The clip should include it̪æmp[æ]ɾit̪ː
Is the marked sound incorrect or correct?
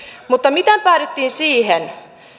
incorrect: æː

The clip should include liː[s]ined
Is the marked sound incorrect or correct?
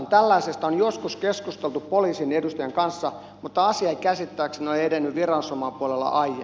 correct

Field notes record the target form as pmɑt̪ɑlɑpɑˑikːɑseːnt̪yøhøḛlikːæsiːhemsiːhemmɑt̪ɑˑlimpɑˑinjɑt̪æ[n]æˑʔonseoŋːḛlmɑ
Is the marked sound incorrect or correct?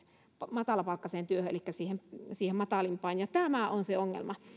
incorrect: m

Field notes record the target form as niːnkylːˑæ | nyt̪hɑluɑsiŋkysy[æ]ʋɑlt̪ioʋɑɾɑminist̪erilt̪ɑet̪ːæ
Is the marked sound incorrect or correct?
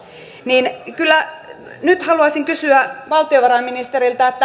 correct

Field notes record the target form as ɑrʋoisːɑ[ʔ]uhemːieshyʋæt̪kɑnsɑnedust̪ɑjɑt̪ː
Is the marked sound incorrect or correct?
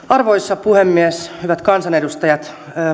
incorrect: p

